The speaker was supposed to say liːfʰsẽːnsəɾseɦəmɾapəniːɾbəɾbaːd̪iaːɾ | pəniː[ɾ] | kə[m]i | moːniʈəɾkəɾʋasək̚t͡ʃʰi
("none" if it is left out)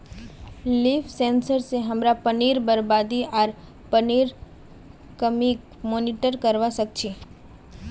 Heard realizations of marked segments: ɾ, m

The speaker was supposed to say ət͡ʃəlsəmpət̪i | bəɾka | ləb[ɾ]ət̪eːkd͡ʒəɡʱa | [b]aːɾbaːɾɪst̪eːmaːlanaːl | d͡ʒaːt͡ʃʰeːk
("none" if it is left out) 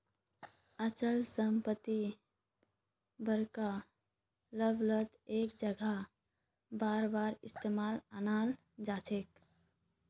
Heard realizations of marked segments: l, b

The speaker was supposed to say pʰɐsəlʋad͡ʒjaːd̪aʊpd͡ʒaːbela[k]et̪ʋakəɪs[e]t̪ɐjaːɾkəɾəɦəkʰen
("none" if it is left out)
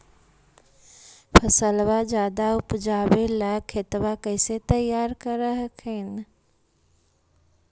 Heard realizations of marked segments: kʰ, e

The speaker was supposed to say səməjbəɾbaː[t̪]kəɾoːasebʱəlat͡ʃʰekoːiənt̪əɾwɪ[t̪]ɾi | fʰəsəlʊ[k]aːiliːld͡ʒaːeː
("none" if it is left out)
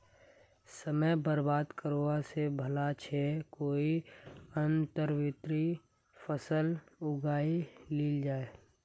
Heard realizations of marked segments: d̪, t̪, ɡ

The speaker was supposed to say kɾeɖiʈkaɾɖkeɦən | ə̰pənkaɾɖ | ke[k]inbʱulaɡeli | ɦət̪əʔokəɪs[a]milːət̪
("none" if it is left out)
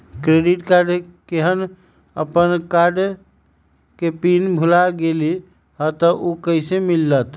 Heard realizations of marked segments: p, e

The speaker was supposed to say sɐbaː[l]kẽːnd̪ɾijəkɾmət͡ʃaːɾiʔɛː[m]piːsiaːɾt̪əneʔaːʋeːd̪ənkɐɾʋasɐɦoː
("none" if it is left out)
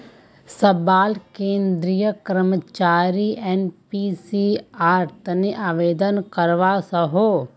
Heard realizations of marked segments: l, n

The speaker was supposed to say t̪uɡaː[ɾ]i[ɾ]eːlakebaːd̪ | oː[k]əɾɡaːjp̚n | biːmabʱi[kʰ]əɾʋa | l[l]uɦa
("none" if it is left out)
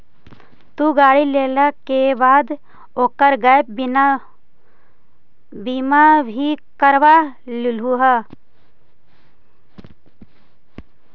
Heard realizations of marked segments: ɽ, l, k, k, l

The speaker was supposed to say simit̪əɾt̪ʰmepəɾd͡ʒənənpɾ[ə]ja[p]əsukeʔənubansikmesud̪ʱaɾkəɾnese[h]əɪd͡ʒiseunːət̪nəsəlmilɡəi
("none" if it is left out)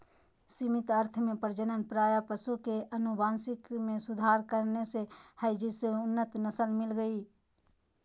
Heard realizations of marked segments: a, p, h

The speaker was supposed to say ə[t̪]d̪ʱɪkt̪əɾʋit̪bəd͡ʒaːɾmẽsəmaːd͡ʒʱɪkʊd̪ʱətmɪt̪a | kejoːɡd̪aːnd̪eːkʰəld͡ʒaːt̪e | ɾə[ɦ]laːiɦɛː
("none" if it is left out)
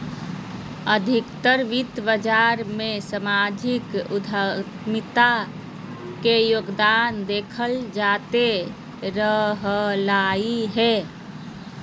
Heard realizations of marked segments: none, ɦ

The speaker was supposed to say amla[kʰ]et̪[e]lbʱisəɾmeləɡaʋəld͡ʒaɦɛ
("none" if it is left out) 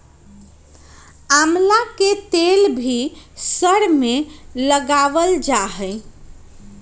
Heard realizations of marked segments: k, e

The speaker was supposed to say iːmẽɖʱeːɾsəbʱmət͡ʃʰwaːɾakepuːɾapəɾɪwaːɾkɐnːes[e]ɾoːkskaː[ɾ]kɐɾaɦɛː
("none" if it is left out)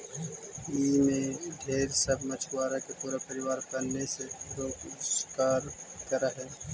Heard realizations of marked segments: e, ɾ

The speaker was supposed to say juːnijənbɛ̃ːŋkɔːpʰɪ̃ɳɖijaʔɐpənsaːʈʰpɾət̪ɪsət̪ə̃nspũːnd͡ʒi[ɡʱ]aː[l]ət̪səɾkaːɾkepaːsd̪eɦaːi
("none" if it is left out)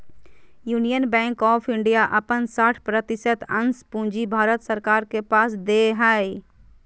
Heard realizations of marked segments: bʱ, ɾ

